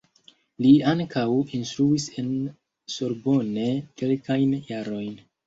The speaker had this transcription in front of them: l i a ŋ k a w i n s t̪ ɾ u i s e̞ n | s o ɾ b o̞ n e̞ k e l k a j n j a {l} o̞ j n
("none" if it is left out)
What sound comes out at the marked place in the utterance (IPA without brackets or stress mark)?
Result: ɾ